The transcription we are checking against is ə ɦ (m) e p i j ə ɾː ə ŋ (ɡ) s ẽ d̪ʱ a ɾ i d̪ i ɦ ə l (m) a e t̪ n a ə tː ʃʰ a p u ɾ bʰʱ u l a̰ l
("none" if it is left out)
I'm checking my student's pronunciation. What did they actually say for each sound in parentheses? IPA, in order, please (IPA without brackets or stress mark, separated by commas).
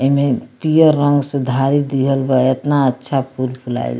m, ɡ, b